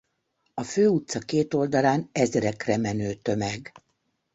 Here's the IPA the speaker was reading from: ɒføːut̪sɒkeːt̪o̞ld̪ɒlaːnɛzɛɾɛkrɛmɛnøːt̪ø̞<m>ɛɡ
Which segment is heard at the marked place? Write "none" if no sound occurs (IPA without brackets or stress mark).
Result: m